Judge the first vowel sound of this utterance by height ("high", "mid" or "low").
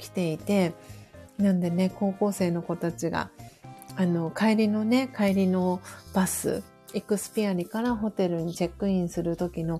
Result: high